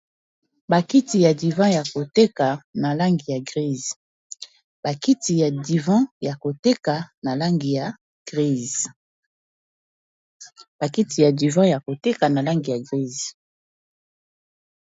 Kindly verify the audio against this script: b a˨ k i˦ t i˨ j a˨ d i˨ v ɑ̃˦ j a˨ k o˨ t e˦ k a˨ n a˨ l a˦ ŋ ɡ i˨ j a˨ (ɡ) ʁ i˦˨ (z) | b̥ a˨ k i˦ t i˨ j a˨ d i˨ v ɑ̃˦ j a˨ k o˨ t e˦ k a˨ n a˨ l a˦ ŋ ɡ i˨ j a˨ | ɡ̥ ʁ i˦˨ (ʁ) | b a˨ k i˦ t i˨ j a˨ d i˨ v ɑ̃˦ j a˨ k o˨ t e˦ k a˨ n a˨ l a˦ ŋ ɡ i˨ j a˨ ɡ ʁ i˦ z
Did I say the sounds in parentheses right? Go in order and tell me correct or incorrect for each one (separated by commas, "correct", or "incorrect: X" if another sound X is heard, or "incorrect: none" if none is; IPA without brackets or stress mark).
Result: correct, correct, incorrect: z